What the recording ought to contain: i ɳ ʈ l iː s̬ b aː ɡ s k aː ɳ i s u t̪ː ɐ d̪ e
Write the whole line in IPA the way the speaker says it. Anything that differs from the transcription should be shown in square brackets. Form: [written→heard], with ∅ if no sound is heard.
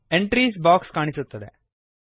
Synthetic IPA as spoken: [i→e] ɳ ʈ [l→ɾ] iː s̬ b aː [ɡ→k] s k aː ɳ i s u t̪ː ɐ d̪ e

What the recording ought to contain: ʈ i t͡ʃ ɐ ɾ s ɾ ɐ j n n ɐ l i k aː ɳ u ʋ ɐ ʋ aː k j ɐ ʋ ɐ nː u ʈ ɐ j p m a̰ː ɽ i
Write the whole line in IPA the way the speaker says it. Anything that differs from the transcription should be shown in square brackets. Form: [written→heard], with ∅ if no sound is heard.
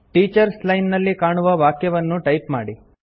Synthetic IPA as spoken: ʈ [i→iː] t͡ʃ ɐ ɾ s [ɾ→l] ɐ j n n ɐ [l→lː] i k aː ɳ u ʋ ɐ ʋ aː k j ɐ ʋ ɐ nː u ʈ ɐ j p m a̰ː ɽ i

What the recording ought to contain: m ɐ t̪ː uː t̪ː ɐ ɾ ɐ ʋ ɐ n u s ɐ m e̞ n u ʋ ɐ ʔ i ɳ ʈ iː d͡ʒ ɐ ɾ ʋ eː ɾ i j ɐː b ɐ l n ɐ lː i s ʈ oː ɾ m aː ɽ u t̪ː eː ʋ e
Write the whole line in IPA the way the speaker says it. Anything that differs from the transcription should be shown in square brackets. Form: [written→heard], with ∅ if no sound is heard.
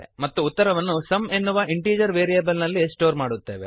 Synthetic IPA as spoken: m ɐ t̪ː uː t̪ː ɐ ɾ ɐ ʋ ɐ [n→nː] u s ɐ m e̞ [n→nː] u ʋ ɐ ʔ i ɳ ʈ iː d͡ʒ ɐ ɾ ʋ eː ɾ i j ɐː b ɐ l n ɐ lː i s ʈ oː ɾ m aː ɽ u t̪ː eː ʋ e

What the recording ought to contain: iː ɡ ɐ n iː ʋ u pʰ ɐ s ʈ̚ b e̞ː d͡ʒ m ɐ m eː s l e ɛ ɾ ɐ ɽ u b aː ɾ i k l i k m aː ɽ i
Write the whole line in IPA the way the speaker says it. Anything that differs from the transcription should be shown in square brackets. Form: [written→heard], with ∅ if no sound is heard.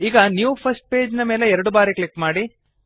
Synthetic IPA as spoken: iː ɡ ɐ n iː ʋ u pʰ ɐ s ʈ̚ [b→p] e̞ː d͡ʒ [m→n] ɐ m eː [s→∅] l e ɛ ɾ ɐ ɽ u b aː ɾ i k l i k m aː ɽ i

